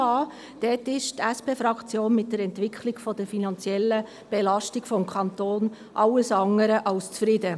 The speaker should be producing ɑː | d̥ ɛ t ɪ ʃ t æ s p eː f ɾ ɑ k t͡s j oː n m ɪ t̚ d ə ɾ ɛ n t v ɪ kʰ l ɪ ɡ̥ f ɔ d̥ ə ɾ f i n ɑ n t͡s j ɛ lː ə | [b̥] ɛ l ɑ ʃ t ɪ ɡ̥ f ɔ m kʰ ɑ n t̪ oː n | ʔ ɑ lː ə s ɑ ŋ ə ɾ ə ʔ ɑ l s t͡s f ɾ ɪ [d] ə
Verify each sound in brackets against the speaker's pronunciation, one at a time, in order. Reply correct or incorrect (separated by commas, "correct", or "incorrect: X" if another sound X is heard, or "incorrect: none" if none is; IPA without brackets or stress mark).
correct, correct